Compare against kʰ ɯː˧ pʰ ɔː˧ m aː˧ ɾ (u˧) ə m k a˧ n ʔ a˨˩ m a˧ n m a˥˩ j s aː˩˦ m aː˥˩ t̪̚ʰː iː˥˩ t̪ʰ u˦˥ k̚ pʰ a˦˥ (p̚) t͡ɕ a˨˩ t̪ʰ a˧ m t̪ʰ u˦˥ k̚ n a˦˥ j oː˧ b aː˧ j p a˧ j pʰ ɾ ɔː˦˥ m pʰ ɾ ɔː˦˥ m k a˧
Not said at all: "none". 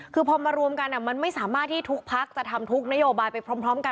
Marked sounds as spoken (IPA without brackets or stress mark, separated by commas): u˧, k̚